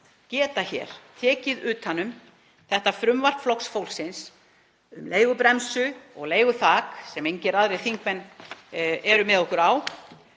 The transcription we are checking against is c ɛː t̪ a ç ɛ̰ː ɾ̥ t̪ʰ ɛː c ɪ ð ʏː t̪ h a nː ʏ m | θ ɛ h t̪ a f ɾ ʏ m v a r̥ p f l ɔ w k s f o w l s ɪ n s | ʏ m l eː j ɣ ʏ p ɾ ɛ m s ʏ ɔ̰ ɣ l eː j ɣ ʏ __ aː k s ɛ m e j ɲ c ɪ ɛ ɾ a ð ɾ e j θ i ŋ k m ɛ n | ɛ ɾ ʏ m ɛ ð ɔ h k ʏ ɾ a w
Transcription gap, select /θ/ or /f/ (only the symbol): θ